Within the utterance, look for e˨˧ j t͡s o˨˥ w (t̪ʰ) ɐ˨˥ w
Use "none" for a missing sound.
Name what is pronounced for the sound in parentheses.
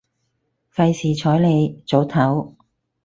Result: t̪ʰ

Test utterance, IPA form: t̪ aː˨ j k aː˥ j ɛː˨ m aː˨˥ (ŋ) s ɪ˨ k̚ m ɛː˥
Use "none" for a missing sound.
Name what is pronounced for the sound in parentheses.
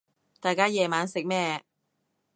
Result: n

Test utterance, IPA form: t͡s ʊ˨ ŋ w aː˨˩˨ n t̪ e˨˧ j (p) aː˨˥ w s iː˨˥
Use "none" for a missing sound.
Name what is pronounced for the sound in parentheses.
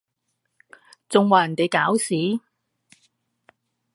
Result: k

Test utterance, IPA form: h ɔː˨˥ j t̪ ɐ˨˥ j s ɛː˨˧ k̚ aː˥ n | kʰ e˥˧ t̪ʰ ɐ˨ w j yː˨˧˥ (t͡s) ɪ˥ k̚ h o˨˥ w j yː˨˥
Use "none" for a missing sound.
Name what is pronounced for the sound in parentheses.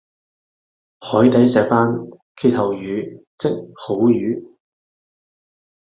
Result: t͡s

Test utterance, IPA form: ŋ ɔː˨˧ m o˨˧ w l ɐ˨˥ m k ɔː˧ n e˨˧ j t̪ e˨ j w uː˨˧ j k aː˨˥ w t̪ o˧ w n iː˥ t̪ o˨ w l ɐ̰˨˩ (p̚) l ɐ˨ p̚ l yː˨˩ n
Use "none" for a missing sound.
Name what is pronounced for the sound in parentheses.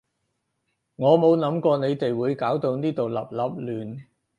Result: p̚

